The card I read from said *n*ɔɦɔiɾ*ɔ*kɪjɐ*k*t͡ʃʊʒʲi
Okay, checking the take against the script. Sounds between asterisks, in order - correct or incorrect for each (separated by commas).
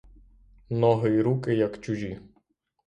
correct, incorrect, correct